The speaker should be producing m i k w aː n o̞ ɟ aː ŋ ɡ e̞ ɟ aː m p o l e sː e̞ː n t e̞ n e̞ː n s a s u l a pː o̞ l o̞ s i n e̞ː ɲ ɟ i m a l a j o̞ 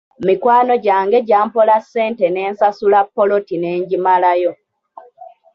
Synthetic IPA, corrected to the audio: m i k w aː n o̞ ɟ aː ŋ ɡ e̞ ɟ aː m p o l a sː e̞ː n t e̞ n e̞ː n s a s u l a pː o̞ l o̞ t i n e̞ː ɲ ɟ i m a l a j o̞